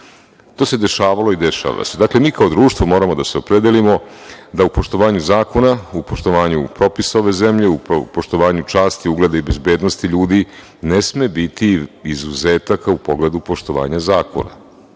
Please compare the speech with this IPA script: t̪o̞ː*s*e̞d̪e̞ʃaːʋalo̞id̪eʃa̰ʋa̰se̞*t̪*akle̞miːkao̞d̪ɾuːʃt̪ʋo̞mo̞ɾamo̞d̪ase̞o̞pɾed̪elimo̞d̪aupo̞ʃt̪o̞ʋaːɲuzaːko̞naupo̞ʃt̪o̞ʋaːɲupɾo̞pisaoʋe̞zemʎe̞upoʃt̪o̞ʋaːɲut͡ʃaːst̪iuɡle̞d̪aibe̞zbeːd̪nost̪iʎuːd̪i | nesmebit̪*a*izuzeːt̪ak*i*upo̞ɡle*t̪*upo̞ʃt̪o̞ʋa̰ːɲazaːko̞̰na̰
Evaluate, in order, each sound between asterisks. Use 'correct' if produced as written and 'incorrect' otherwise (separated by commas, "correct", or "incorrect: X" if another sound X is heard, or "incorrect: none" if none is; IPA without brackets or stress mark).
correct, incorrect: d̪, incorrect: i, incorrect: a, incorrect: d̪